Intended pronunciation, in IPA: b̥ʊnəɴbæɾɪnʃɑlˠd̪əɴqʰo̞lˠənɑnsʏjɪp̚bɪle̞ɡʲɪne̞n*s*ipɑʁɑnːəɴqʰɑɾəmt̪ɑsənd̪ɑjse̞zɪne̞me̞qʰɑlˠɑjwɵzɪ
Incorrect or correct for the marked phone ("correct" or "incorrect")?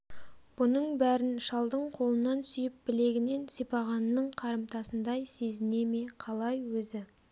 correct